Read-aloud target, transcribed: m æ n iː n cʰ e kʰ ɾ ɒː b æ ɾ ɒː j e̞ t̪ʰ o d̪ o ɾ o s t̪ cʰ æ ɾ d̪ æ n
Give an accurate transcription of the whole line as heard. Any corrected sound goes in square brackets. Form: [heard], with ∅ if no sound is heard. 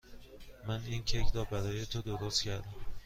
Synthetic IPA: m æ n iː n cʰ e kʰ ɾ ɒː b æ ɾ ɒː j e̞ t̪ʰ o d̪ o ɾ o s t̪ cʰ æ ɾ d̪ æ [m]